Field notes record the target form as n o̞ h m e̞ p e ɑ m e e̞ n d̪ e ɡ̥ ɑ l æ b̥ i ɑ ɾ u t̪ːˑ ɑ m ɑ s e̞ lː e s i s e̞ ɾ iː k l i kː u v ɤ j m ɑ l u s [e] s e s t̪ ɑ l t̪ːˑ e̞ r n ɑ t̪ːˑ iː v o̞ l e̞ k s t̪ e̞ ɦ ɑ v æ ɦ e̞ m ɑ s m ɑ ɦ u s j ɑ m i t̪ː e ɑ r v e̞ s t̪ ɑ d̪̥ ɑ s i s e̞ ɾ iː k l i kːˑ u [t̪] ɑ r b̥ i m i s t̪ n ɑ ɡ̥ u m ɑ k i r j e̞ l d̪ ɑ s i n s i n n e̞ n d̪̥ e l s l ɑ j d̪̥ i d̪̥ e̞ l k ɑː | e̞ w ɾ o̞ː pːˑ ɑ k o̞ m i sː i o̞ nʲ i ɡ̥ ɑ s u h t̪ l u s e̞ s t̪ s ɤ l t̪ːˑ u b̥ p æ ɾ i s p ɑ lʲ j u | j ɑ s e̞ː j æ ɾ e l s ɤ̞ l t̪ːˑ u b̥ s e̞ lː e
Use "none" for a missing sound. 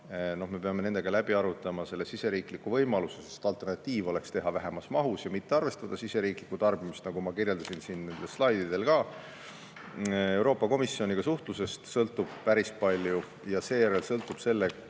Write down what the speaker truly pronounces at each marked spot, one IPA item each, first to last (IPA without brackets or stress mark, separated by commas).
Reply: e, t̪